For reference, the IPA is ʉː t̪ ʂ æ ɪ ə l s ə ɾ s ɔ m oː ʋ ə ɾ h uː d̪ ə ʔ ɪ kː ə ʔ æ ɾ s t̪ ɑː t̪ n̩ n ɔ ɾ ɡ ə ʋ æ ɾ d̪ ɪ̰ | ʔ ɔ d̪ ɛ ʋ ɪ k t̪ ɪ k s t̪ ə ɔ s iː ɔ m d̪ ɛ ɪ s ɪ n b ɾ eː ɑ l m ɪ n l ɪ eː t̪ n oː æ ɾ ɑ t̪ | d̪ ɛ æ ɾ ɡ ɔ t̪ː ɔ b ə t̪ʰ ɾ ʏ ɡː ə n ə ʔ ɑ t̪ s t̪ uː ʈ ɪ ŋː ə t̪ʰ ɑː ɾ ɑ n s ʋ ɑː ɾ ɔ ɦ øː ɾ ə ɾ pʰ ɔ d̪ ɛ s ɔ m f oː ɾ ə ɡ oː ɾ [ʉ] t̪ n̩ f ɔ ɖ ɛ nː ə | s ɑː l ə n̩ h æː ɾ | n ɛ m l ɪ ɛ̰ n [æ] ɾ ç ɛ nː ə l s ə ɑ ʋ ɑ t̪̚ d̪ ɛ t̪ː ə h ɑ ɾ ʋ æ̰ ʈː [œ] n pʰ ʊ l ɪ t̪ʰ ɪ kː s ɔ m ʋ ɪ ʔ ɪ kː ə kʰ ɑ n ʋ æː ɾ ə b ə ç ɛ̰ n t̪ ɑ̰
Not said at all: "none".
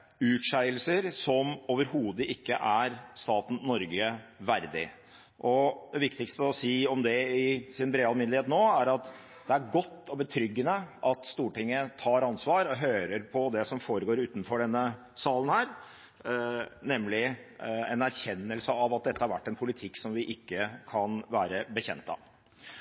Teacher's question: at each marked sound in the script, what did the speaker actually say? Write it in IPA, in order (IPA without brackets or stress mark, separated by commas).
ʉː, æ, ɛ